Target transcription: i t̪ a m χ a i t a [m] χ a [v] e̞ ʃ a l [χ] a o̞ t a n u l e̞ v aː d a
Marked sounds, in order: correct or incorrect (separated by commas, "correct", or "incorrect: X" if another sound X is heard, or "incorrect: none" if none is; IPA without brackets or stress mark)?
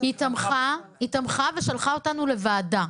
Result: correct, correct, correct